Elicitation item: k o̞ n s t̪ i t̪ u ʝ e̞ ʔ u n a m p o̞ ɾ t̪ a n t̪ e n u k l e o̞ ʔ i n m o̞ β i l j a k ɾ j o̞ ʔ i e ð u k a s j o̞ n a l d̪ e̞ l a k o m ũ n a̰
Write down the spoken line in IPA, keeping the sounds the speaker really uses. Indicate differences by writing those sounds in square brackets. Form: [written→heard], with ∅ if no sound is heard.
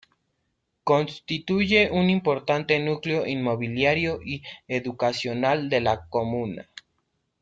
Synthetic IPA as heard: k o̞ n s t̪ i t̪ u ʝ e̞ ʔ u n [a→i] m p o̞ ɾ t̪ a n t̪ e n u k l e o̞ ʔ i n m o̞ β i l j a [k→∅] ɾ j o̞ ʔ i e ð u k a s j o̞ n a l d̪ e̞ l a k o m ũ n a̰